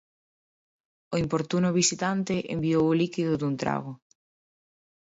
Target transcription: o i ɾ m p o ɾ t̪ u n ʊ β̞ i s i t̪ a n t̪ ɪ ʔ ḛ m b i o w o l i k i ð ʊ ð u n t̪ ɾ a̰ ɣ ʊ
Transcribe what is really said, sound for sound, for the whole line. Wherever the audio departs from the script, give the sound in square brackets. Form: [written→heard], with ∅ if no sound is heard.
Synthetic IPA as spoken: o i [ɾ→∅] m p o ɾ t̪ u n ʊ β̞ i s i t̪ a n t̪ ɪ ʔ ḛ m b i o w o l i k i ð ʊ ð u n t̪ ɾ a̰ ɣ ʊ